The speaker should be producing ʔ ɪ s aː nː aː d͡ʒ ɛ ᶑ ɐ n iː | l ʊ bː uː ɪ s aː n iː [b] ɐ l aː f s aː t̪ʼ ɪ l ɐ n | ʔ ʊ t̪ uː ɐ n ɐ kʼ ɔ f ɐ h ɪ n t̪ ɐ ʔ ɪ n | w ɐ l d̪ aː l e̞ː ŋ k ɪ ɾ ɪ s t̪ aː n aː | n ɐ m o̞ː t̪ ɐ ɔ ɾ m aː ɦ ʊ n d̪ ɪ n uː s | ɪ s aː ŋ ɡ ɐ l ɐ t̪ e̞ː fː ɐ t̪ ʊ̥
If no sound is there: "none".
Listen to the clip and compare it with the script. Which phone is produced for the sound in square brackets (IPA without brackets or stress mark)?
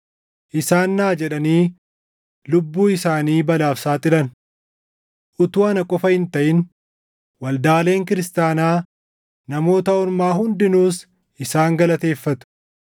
b